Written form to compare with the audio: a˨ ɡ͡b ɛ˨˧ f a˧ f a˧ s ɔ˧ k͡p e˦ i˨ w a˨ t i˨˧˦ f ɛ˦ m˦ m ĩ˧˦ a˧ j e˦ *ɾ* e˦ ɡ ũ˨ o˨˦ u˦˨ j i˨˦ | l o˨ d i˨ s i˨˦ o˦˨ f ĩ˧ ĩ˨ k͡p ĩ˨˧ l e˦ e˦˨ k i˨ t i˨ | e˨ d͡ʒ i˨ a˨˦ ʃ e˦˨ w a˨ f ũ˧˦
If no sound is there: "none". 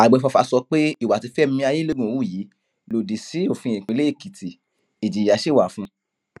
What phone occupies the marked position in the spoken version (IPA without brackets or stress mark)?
l